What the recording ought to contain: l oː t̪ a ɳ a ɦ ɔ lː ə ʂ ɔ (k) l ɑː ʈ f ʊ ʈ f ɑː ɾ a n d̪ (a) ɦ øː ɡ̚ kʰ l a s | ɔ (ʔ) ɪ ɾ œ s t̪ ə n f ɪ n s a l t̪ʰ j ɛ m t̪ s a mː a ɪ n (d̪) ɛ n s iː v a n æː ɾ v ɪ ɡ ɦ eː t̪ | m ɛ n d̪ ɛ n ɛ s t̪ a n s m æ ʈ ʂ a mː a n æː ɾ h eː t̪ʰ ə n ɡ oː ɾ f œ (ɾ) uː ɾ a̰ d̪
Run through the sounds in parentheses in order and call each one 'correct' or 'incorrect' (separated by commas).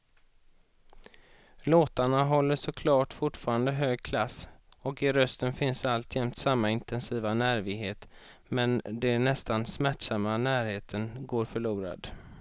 incorrect, incorrect, incorrect, incorrect, incorrect